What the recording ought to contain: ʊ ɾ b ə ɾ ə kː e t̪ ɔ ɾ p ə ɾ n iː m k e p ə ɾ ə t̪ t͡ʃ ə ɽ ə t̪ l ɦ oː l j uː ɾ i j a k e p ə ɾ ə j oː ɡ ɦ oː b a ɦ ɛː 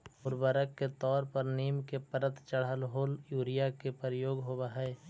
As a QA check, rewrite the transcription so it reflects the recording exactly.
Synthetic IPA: ʊ ɾ b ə ɾ ə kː e t̪ ɔː ɾ p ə ɾ n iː m k e p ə ɾ ə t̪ t͡ʃ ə ɽ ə l ɦ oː l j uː ɾ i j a k e p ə ɾ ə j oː ɡ ɦ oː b a ɦ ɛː